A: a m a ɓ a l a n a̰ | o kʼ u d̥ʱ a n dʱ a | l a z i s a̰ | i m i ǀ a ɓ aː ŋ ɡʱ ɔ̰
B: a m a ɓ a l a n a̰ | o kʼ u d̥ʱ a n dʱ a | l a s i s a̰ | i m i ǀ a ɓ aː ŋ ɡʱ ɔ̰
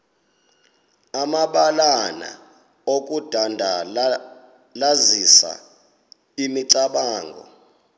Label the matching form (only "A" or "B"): A